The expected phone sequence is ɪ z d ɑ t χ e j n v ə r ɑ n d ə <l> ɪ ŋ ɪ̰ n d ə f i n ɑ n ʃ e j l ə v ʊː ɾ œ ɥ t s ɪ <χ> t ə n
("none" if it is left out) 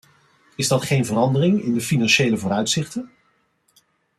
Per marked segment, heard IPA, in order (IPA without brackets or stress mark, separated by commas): r, χ